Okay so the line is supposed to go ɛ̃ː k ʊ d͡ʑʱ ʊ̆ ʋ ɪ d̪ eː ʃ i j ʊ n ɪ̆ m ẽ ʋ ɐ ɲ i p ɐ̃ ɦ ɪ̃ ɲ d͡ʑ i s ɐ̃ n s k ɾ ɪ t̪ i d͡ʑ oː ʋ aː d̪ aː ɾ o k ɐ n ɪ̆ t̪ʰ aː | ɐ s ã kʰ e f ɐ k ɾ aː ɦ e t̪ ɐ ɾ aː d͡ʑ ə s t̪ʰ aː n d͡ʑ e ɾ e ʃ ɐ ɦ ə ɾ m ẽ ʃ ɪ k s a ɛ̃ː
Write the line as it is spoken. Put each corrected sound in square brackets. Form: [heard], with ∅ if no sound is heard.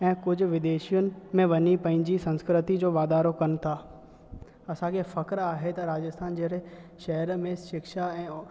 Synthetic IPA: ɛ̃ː k ʊ d͡ʑʱ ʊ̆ ʋ ɪ d̪ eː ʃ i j ʊ n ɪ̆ m ẽ ʋ ɐ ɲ i p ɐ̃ ɦ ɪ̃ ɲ d͡ʑ i s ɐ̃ n s k ɾ ɪ t̪ i d͡ʑ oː ʋ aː d̪ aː ɾ o k ɐ n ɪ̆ t̪ʰ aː | ɐ s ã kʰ e f ɐ k ɾ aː ɦ e t̪ ɐ ɾ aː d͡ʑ ə s t̪ʰ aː n d͡ʑ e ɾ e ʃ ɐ ɦ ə ɾ m ẽ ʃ ɪ k [ʃ] a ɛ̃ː